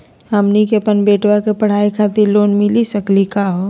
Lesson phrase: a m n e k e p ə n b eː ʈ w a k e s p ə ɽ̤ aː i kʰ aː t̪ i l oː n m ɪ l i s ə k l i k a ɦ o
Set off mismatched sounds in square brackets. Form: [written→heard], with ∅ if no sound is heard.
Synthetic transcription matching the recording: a m n [e→i] k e p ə n b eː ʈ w a k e [s→∅] p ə ɽ̤ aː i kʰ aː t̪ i l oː n m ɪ l i s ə k l i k a ɦ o